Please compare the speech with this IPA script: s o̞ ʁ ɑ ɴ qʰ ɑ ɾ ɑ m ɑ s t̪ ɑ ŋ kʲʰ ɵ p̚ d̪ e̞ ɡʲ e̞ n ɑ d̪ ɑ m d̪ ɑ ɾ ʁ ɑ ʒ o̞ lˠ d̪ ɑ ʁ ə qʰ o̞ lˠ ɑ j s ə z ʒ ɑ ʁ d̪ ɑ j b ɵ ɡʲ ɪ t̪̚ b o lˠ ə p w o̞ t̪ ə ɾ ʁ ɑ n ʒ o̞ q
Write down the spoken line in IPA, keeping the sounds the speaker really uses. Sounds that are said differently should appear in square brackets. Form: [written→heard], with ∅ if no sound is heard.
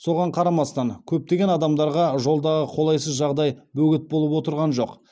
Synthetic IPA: s o̞ ʁ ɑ ɴ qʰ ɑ ɾ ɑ m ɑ s t̪ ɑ ŋ kʲʰ ɵ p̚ [d̪→t̪] e̞ ɡʲ e̞ n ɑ d̪ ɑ m d̪ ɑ ɾ ʁ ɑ ʒ o̞ lˠ d̪ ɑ ʁ ə qʰ o̞ lˠ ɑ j s ə z ʒ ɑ ʁ d̪ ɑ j b ɵ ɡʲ ɪ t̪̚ b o lˠ ə p w o̞ t̪ ə ɾ ʁ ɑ n ʒ o̞ q